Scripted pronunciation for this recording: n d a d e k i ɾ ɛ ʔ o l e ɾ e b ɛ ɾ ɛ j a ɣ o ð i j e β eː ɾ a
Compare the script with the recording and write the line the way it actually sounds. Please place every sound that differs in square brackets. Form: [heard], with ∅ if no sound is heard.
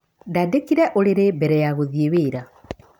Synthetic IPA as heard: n d a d e k i ɾ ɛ ʔ o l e ɾ e b ɛ ɾ ɛ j a ɣ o ð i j e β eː ɾ a

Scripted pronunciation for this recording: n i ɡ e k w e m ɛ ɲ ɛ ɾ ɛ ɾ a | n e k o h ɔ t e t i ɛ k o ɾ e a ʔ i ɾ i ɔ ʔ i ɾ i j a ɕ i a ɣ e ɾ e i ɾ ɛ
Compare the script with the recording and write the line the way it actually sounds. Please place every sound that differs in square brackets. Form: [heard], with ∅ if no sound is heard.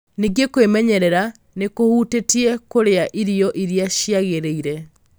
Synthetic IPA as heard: n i ɡ e k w e m ɛ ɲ ɛ ɾ ɛ ɾ a | n e k o h [u] t e t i ɛ k o ɾ e a ʔ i ɾ i ɔ ʔ i ɾ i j a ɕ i a ɣ e ɾ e i ɾ ɛ

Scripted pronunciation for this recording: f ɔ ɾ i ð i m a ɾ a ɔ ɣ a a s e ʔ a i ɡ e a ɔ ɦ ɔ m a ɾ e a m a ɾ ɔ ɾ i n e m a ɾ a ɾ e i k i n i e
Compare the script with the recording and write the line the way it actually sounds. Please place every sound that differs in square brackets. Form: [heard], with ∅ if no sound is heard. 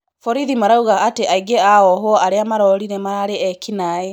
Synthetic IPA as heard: f ɔ ɾ i ð i m a ɾ a [u] ɣ a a [t] e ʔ a i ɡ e a ɔ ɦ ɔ [∅] a ɾ e a m a ɾ ɔ ɾ i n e m a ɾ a ɾ e [ɛ] k i n [a] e

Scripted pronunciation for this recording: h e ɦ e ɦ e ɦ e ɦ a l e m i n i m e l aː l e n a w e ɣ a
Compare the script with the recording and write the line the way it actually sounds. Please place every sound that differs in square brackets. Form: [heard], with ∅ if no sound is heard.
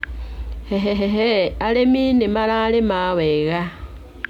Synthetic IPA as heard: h e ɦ e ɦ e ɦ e [∅] a l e m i n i m [a] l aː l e [m] a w e ɣ a

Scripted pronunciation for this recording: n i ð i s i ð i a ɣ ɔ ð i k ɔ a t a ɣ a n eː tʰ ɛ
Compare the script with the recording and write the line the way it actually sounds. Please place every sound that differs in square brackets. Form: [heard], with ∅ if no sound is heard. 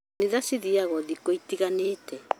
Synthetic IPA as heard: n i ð [a] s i ð i a ɣ ɔ ð i k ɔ [i] t [i] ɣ a n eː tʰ ɛ

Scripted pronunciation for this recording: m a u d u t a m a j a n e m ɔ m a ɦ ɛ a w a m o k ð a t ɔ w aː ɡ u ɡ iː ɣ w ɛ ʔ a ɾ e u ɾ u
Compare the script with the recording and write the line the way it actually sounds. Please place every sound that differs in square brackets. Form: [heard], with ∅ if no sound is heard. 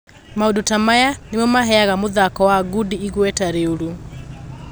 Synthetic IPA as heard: m a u d u t a m a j a n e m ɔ m a ɦ ɛ a [ɣ] a m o [∅] ð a [k] ɔ w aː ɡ u [d] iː ɣ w ɛ [t] a ɾ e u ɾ u

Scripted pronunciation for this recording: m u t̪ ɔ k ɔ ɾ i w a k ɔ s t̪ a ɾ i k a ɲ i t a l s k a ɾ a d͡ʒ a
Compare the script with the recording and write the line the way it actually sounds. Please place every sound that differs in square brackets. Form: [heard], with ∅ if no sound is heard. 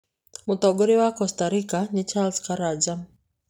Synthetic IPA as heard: m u t̪ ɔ [ɡ] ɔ ɾ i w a k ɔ s t̪ a ɾ i k a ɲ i [t͡ʃ] a l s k a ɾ a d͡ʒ a

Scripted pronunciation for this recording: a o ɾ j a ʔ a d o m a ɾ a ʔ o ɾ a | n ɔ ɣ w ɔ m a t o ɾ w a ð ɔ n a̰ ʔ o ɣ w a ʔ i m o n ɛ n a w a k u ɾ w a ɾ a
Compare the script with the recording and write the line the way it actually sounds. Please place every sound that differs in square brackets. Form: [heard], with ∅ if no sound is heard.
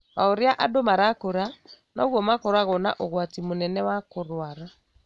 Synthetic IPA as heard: a o ɾ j a ʔ a d o m a ɾ a [k] o ɾ a | n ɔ ɣ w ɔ m a [k] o ɾ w a [ɣ] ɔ n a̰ ʔ o ɣ w a [t] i m o n ɛ n [ɛ] w a k [o] ɾ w a ɾ a

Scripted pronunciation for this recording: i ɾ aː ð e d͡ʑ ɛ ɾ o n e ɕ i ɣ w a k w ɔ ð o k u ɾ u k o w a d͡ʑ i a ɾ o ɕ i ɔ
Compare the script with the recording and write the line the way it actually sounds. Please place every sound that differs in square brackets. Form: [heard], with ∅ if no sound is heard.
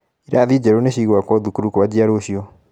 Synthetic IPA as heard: i ɾ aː ð [i] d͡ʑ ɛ ɾ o n e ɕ i ɣ w a k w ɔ ð [u] k u ɾ u k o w a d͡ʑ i a ɾ o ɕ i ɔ

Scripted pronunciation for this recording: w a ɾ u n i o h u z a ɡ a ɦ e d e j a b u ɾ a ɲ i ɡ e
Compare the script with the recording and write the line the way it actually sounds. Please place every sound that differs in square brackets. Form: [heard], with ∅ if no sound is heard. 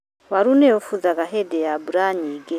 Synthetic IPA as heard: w a ɾ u n [e] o [f] u z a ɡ a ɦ e d e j a b u ɾ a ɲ i ɡ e

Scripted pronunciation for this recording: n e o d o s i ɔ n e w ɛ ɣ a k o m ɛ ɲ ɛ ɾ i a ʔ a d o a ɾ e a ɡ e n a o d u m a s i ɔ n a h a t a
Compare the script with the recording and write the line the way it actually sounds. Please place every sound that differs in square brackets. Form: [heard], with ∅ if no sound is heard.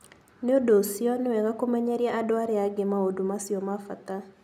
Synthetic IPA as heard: n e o d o s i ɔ n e w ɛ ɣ a k o m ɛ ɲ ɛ ɾ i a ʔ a d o a ɾ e a ɡ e [m] a o d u m a s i ɔ [m] a [f] a t a

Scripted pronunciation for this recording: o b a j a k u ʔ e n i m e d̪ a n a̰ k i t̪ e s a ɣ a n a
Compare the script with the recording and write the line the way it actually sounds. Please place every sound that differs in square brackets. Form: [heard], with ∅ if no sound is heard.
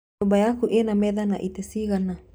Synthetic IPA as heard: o b a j a k u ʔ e n [a] m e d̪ a n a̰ [ʔ] i t̪ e s [i] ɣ a n a

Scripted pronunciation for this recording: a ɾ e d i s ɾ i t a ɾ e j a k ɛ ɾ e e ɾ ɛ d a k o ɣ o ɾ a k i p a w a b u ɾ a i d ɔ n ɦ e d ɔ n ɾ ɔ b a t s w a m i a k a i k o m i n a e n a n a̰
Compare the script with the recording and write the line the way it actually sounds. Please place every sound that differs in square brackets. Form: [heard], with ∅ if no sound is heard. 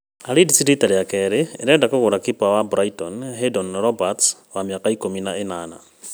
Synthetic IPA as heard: a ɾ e d i s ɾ i t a ɾ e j a k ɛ ɾ e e ɾ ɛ d a k o ɣ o ɾ a k i p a w a b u ɾ a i [t] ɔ n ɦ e d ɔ n ɾ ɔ b a t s w a m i a k a i k o m i n a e n a n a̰

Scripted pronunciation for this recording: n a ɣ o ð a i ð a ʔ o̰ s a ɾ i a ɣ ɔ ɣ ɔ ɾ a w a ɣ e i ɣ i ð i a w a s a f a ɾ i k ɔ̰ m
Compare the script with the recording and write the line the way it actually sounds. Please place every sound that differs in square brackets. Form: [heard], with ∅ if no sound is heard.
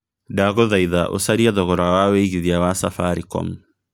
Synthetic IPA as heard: [d] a ɣ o ð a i ð a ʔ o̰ s a ɾ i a [ð] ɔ ɣ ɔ ɾ a w a [w] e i ɣ i ð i a w a s a f a ɾ i k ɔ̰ m

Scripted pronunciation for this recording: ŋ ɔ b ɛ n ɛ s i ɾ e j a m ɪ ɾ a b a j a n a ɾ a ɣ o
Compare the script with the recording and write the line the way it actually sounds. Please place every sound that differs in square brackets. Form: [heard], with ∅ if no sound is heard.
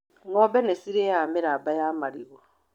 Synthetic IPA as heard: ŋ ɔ b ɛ n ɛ s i ɾ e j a m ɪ ɾ a b a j a [m] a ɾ [i] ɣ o

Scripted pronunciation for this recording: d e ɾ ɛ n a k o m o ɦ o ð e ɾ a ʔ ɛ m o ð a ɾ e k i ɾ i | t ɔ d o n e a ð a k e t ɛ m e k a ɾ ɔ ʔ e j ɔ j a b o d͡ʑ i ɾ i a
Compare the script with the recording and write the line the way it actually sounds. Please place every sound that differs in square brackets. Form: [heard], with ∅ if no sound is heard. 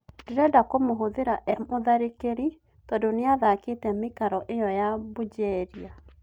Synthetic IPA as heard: d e ɾ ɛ [d] a k o m o ɦ o ð e ɾ a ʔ ɛ m o ð a ɾ e k [e] ɾ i | t ɔ d o n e a ð a k e t ɛ m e k a ɾ ɔ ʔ e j ɔ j a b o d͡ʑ [ɛ] ɾ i a

